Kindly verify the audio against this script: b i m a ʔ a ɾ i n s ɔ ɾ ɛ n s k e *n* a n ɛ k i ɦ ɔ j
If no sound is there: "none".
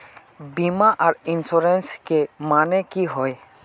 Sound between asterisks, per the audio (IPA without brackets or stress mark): m